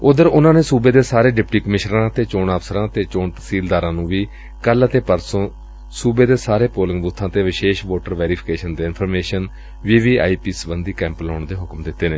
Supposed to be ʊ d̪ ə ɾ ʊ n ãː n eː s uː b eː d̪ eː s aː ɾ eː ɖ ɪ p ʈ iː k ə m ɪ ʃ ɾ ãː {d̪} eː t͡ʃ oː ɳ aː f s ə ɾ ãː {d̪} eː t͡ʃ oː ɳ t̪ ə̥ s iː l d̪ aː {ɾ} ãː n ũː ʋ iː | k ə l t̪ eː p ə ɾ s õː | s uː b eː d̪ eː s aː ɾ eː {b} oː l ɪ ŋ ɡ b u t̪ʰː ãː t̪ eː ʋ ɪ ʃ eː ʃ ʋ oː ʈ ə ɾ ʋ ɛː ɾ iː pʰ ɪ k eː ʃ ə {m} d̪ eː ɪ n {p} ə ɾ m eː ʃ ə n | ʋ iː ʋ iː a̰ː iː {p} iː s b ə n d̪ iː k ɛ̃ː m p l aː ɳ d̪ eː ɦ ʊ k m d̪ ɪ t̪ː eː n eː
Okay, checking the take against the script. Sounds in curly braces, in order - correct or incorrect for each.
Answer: incorrect: t̪, incorrect: t̪, correct, incorrect: p, incorrect: n, incorrect: pʰ, correct

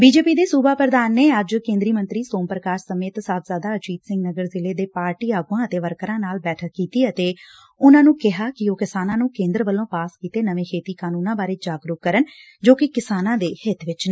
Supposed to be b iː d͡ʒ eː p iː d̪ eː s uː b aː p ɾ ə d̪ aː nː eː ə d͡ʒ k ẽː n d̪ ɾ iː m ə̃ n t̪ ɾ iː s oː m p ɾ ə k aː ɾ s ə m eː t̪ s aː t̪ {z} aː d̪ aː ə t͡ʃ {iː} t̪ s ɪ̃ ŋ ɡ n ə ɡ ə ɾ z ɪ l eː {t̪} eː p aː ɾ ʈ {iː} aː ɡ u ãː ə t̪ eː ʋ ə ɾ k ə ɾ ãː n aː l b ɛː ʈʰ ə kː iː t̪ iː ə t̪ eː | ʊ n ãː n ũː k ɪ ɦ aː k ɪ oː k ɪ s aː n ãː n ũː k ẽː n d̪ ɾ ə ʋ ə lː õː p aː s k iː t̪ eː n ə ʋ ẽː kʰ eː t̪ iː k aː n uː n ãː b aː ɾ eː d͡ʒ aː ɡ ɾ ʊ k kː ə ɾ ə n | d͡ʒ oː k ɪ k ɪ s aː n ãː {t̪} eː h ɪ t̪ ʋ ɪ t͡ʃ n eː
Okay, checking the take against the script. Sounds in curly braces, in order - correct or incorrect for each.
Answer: correct, correct, incorrect: d̪, correct, incorrect: d̪

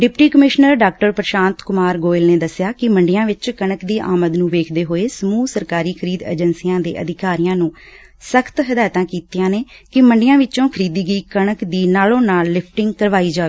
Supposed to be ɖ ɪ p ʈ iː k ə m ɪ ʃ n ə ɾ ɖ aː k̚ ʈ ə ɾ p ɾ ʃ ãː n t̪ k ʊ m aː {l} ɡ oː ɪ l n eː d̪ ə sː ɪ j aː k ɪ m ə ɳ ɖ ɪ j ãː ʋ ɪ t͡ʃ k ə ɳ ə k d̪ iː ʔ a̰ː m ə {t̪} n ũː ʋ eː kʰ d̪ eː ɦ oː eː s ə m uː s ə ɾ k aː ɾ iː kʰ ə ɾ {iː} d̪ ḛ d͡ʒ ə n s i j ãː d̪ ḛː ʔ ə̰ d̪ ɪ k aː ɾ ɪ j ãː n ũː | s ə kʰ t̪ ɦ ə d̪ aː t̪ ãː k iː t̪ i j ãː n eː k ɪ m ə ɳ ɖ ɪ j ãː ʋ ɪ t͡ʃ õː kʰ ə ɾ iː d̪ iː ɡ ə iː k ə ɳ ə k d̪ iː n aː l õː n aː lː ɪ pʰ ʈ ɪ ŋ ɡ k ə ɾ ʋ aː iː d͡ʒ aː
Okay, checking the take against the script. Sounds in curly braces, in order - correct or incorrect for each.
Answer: incorrect: ɾ, incorrect: d̪, correct

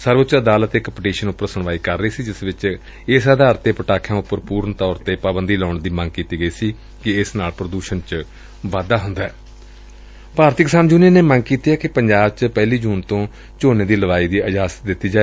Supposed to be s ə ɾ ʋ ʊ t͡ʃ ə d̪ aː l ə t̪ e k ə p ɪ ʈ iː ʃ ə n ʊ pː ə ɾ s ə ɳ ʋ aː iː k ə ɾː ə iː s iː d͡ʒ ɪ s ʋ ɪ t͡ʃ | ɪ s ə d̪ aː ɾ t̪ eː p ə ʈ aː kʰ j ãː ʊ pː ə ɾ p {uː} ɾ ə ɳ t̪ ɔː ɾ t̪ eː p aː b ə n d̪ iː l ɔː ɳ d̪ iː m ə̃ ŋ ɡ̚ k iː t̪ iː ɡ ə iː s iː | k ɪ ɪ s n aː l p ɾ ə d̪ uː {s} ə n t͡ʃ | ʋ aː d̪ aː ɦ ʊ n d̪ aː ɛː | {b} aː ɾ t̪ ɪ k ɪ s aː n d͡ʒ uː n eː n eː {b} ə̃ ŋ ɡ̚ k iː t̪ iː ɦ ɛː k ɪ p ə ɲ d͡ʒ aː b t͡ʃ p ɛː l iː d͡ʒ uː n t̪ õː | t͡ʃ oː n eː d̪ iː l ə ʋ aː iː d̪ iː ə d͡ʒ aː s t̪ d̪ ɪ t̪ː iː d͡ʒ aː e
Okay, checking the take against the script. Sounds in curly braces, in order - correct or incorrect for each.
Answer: correct, incorrect: ʃ, incorrect: p, incorrect: m

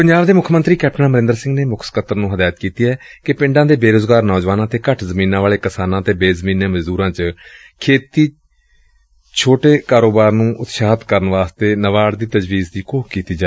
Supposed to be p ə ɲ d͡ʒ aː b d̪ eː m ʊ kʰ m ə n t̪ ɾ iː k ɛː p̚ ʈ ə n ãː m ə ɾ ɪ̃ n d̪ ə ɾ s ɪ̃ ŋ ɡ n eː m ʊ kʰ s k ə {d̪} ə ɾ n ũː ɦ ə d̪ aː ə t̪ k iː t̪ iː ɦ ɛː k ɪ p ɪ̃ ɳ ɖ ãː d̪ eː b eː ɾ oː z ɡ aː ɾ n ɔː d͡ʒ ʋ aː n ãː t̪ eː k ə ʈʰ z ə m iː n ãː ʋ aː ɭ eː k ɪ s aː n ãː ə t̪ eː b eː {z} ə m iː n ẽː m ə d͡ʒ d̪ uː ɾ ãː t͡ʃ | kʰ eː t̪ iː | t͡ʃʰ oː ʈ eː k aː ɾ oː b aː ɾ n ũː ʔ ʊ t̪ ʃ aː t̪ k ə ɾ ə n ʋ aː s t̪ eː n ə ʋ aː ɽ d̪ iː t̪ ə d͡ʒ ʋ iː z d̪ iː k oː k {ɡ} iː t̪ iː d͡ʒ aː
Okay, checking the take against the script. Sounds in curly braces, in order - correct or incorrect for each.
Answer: incorrect: t̪, correct, incorrect: k

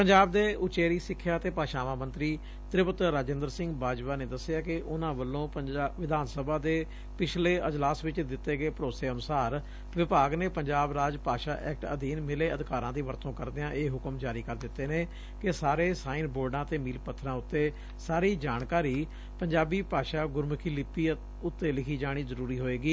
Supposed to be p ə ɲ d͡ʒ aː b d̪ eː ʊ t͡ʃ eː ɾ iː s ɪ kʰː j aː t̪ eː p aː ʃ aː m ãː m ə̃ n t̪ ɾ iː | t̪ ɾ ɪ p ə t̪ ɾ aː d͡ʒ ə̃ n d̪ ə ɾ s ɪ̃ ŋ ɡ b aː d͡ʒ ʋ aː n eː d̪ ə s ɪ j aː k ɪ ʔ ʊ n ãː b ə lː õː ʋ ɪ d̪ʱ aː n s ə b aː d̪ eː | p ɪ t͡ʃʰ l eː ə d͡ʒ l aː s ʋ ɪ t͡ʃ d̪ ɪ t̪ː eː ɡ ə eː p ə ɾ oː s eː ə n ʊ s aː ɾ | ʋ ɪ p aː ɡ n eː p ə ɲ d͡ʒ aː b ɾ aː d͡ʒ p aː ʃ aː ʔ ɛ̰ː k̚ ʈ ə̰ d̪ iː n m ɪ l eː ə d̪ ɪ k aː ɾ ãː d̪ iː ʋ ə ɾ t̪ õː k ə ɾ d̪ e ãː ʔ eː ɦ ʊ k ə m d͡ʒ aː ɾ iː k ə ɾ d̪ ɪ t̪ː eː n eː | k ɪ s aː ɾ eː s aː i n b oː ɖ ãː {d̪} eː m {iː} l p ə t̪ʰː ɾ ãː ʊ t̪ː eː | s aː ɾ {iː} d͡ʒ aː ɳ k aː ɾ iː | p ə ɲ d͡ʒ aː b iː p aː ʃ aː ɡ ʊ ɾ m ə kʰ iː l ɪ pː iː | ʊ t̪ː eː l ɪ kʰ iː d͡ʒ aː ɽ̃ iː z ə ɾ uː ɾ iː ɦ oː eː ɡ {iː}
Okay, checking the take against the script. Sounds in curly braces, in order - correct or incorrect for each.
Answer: incorrect: t̪, correct, correct, correct

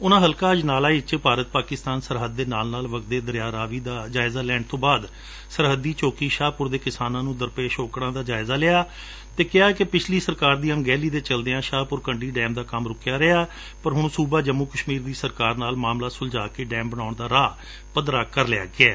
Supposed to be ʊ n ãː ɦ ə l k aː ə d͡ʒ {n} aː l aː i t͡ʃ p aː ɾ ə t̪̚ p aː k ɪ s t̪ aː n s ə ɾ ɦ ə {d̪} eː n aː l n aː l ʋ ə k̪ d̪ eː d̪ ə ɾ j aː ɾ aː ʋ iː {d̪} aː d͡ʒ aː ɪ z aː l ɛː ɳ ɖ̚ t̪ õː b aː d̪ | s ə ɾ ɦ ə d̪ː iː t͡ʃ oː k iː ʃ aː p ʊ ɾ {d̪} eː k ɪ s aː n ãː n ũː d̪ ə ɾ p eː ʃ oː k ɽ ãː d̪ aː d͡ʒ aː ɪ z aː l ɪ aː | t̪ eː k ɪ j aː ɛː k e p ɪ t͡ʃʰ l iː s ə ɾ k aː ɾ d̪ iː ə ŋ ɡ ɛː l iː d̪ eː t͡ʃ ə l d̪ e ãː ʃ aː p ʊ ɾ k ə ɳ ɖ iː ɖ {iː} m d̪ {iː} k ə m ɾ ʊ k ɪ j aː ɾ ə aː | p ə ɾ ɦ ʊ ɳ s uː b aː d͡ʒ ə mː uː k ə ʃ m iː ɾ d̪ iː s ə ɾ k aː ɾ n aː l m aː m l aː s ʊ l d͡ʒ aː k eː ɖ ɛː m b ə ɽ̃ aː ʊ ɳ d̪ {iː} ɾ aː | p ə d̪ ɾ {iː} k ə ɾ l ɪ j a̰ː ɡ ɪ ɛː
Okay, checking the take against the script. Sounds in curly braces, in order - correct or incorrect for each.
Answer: correct, incorrect: d̪ː, correct, correct, incorrect: ɛː, incorrect: aː, incorrect: aː, incorrect: aː

